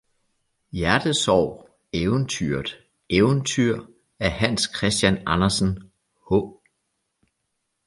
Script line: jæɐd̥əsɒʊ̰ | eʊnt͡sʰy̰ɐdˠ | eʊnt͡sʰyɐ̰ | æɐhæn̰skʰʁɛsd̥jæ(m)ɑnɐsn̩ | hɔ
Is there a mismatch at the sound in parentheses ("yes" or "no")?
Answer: yes